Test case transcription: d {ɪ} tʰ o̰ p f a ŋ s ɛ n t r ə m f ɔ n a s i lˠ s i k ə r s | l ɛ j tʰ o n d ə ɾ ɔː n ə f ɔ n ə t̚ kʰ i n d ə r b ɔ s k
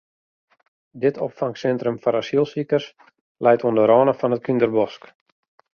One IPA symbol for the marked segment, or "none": ɪ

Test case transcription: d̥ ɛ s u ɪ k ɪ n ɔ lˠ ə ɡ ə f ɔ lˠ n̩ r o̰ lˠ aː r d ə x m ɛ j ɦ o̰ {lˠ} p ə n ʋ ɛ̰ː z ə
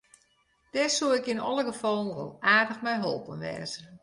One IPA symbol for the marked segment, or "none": lˠ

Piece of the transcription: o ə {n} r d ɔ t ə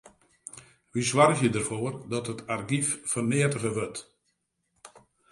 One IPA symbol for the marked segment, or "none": none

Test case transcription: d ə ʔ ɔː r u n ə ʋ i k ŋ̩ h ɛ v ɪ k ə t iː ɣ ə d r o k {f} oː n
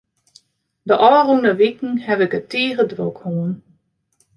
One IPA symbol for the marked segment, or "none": h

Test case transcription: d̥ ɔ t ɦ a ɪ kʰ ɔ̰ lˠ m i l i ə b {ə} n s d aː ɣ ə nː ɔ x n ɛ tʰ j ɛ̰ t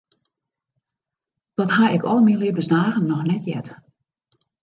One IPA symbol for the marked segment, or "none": ə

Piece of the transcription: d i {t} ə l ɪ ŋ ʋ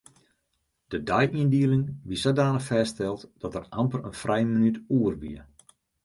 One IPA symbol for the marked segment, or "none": none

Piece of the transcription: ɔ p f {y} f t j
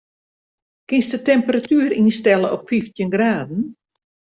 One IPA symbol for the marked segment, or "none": i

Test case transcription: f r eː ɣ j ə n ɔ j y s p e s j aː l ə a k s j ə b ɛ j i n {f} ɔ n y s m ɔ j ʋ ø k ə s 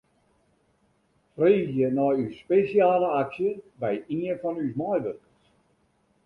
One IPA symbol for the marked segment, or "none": f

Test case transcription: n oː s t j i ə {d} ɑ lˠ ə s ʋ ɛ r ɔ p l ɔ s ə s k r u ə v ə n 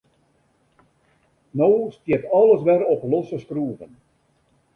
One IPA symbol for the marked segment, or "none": t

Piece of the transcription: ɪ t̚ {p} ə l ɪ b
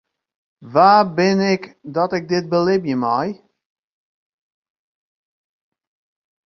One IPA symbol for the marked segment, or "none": b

